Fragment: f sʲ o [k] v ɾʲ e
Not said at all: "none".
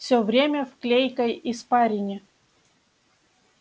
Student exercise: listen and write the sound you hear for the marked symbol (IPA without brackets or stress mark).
none